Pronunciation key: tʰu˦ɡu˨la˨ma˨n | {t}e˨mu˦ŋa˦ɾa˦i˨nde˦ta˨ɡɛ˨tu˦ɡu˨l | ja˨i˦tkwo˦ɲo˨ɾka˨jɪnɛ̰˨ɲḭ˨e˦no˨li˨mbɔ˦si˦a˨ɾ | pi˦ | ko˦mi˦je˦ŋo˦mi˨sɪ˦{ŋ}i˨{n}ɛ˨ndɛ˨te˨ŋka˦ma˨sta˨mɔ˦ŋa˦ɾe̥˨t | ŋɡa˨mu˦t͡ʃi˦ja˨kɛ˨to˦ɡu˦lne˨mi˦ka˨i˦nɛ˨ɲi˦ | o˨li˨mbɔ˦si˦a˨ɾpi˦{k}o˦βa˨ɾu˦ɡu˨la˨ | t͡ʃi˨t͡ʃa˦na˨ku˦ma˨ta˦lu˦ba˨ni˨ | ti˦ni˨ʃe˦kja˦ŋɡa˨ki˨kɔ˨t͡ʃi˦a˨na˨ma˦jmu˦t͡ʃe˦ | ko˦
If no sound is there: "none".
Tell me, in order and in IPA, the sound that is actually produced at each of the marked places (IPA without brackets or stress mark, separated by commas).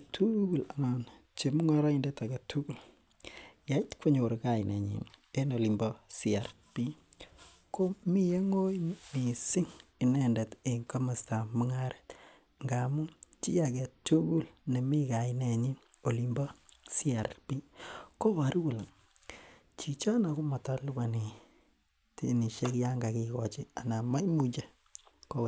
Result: t͡ʃ, ŋ, n, k